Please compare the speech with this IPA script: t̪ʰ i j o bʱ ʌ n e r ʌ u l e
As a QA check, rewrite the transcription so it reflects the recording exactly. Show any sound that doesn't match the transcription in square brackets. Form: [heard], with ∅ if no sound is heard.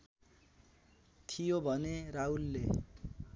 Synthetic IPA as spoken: t̪ʰ i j o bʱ ʌ n e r [a] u [lː] e